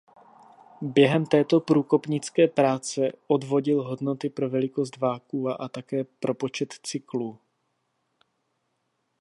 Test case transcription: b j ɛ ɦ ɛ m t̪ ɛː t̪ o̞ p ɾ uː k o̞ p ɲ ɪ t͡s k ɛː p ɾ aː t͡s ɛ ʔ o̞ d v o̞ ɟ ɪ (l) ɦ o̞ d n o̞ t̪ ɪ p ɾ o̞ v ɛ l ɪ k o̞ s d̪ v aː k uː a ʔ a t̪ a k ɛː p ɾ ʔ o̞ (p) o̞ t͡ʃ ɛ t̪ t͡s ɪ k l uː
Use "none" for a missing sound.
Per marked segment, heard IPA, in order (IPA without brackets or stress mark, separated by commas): l, p